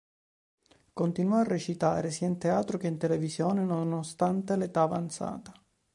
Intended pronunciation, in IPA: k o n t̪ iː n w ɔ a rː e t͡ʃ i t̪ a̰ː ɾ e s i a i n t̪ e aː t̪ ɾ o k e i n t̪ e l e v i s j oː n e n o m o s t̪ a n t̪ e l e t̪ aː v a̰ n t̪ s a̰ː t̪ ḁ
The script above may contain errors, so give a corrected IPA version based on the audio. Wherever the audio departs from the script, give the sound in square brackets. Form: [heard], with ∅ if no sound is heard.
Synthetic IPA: k o n t̪ [i] n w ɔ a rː e t͡ʃ i t̪ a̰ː ɾ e s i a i n t̪ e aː t̪ ɾ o k e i n t̪ e l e v i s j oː n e n o [n] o s t̪ a n t̪ e l e t̪ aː v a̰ n t̪ s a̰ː t̪ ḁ